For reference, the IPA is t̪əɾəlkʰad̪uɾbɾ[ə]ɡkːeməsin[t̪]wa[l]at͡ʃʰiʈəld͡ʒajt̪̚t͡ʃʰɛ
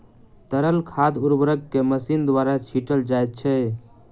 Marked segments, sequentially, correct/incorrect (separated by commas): correct, incorrect, incorrect